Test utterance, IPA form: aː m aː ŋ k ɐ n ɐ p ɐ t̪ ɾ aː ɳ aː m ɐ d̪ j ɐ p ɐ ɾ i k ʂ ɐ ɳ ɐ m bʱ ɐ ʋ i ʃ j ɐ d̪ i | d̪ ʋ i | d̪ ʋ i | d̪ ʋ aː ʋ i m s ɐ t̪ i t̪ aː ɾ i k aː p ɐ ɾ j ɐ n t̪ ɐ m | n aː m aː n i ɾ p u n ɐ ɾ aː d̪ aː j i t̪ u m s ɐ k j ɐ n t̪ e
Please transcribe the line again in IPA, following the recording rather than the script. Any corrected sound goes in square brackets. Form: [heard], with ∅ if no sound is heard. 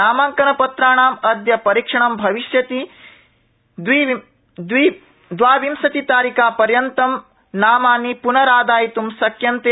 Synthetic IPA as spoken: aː m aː ŋ k ɐ n ɐ p ɐ t̪ ɾ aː ɳ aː m ɐ d̪ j ɐ p ɐ ɾ i k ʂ ɐ ɳ ɐ m bʱ ɐ ʋ i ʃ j ɐ [t̪] i | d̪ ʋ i | d̪ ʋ i | d̪ ʋ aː ʋ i m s ɐ t̪ i t̪ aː ɾ i k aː p ɐ ɾ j ɐ n t̪ ɐ m | n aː m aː n i [∅] p u n ɐ ɾ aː d̪ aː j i t̪ u m s ɐ k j ɐ n t̪ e